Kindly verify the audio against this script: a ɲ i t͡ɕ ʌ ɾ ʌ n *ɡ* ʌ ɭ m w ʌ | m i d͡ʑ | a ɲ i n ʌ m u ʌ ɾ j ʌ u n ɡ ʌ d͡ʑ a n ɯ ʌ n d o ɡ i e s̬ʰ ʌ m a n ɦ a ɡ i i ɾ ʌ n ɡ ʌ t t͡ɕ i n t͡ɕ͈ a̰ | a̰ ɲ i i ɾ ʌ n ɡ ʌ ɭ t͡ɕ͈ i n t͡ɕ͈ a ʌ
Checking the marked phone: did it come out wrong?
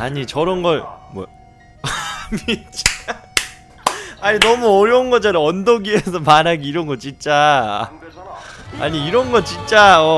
no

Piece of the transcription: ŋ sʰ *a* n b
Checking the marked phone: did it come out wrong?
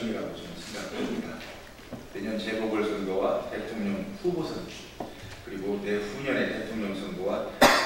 yes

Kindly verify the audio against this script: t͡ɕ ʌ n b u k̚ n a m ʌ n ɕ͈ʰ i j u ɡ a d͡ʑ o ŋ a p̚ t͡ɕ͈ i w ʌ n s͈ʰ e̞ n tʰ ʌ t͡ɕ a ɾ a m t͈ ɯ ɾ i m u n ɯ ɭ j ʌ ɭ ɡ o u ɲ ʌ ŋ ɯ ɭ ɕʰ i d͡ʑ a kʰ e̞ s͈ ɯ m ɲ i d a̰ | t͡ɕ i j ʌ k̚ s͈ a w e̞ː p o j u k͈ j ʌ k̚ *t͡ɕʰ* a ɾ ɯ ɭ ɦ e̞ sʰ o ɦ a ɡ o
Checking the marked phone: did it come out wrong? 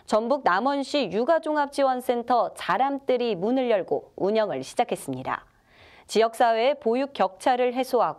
no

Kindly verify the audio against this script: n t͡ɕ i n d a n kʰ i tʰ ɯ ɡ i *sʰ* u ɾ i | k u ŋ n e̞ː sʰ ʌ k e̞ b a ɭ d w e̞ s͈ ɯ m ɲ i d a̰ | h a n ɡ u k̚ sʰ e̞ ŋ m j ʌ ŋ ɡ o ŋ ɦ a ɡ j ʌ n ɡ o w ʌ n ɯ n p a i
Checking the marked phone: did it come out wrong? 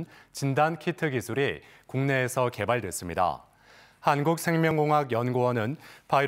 no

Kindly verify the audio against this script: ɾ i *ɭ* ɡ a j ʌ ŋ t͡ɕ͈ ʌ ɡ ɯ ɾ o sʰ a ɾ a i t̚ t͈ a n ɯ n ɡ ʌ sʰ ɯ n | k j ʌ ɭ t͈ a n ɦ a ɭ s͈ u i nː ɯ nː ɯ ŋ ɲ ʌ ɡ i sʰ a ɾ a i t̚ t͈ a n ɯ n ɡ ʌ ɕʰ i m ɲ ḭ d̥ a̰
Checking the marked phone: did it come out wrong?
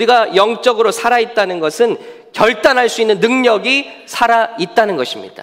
yes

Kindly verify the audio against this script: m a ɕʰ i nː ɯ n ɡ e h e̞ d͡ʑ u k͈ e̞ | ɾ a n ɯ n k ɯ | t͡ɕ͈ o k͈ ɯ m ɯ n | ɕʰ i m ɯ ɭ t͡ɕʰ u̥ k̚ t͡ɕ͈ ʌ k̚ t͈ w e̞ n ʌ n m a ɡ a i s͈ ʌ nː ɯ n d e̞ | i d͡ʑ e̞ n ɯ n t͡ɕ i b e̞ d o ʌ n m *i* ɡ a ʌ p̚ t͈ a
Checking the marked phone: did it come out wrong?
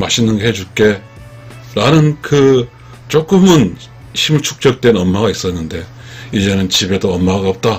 yes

